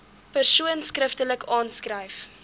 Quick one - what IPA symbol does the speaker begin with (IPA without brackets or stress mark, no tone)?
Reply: p